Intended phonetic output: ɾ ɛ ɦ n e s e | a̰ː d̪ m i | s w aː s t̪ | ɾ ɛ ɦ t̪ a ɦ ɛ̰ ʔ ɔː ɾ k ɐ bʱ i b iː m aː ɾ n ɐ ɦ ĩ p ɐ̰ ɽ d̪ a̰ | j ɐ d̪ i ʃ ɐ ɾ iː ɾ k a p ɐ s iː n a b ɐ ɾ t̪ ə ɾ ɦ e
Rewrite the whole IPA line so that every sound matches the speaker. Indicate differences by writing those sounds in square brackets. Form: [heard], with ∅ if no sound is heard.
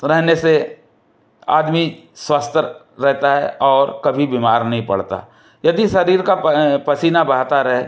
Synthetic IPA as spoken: ɾ ɛ ɦ n e s e | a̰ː d̪ m i | s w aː s t̪ | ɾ ɛ ɦ t̪ a ɦ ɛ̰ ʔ ɔː ɾ k ɐ bʱ i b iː m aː ɾ n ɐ ɦ ĩ p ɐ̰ ɽ [t̪] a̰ | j ɐ d̪ i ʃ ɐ ɾ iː ɾ k a p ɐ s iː n a b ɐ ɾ t̪ [a] ɾ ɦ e